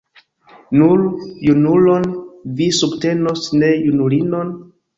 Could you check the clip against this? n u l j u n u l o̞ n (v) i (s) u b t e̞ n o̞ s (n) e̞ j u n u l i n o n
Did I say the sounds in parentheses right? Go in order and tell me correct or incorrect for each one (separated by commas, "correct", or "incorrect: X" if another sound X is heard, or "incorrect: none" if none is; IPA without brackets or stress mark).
correct, correct, correct